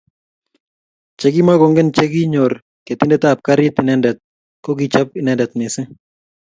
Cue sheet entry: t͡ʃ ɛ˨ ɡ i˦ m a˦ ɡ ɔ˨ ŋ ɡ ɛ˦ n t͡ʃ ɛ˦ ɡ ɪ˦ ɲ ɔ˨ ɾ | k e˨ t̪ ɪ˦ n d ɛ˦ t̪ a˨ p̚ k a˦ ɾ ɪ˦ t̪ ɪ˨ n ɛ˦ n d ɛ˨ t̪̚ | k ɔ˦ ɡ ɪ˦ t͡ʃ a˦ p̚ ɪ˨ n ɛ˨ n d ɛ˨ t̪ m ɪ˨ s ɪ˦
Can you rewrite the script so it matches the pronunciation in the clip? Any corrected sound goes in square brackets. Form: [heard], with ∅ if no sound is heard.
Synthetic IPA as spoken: t͡ʃ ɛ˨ ɡ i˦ m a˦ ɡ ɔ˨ ŋ ɡ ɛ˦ n t͡ʃ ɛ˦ ɡ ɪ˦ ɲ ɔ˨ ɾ | k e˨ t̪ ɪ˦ n d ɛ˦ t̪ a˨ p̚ k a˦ ɾ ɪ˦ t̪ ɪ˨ n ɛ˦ n d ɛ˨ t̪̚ | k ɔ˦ ɡ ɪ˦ t͡ʃ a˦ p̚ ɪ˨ n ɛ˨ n d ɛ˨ t̪ m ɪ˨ s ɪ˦

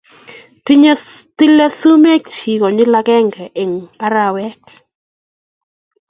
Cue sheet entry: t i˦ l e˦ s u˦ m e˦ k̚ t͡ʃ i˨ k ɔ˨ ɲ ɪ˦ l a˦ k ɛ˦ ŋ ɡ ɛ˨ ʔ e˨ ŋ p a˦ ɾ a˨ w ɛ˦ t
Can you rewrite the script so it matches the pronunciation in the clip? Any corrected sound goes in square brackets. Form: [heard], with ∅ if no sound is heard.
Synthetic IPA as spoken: t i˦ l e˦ s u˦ m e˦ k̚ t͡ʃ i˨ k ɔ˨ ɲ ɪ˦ l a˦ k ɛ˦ ŋ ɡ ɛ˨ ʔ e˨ ŋ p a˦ ɾ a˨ w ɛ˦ t

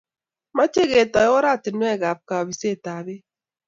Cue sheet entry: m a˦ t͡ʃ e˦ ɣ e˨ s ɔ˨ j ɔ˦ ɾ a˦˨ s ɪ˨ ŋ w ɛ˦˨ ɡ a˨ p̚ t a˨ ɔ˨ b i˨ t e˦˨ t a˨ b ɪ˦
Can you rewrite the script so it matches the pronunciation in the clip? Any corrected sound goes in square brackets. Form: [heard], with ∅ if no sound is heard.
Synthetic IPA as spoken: m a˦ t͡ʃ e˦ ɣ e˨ [t] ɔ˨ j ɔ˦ ɾ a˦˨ [t] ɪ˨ [n] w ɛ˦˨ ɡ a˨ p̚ [k] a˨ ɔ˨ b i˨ [s] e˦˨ t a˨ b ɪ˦

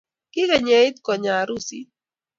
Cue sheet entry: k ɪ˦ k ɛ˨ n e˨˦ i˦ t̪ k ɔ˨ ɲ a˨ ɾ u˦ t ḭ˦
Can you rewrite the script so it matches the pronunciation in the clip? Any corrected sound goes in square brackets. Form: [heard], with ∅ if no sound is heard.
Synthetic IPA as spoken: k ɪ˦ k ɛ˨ [ɲ] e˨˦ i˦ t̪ k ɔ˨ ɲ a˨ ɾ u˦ [s] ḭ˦

